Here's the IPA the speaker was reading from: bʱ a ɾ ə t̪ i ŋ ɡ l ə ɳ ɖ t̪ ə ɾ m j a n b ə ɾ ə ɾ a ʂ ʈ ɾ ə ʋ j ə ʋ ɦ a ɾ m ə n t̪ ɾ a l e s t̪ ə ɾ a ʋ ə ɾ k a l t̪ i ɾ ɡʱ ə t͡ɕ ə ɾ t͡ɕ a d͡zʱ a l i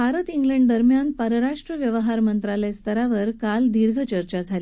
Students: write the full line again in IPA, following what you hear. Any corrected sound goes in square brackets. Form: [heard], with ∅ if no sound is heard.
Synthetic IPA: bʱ a ɾ ə t̪ i ŋ ɡ l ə ɳ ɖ [d̪] ə ɾ m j a n [p] ə ɾ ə ɾ a ʂ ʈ ɾ ə ʋ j ə ʋ ɦ a ɾ m ə n t̪ ɾ a l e s t̪ ə ɾ a ʋ ə ɾ k a l [d̪] i ɾ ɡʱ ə t͡ɕ ə ɾ t͡ɕ a d͡zʱ a l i